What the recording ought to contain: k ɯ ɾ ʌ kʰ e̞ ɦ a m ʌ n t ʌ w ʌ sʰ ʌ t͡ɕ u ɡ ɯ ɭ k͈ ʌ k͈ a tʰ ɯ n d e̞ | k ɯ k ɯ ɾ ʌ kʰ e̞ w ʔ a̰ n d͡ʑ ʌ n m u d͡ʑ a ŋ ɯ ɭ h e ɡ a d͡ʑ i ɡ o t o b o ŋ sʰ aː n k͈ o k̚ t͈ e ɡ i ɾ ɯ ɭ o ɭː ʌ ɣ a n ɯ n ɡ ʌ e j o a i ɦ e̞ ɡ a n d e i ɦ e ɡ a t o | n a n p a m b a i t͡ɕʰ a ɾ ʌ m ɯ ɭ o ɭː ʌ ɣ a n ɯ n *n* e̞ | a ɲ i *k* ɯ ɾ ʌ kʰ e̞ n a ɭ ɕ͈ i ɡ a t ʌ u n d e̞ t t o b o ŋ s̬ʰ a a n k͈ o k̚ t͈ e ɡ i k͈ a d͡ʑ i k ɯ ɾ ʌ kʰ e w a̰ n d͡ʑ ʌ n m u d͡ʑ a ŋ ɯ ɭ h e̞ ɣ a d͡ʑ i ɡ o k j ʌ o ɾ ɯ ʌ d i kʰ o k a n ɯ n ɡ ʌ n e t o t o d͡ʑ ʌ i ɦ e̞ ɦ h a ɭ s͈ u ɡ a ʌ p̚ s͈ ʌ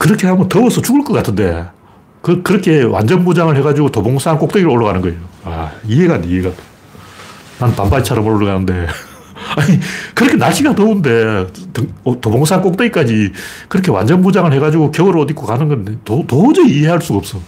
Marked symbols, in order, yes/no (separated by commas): no, yes